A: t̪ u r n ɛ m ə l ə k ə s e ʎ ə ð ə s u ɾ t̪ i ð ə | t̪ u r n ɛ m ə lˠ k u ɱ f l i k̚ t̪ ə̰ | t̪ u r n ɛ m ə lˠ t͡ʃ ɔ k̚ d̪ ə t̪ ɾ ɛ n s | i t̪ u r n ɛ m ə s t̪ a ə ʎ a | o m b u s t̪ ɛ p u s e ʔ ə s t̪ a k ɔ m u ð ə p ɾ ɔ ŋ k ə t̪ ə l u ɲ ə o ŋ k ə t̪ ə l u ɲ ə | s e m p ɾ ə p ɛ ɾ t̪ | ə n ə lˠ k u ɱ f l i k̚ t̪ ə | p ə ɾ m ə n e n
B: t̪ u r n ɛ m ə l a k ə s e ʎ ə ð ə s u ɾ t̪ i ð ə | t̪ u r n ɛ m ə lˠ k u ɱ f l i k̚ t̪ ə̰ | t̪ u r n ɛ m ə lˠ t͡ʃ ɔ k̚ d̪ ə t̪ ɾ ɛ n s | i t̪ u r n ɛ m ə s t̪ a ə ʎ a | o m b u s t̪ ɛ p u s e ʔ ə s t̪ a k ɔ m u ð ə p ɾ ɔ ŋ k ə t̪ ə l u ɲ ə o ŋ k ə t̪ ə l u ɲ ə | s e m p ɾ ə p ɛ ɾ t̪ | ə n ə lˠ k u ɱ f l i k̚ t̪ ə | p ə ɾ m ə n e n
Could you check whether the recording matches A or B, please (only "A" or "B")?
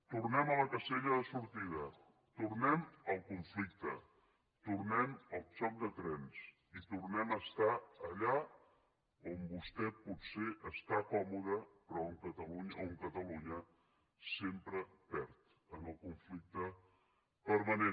A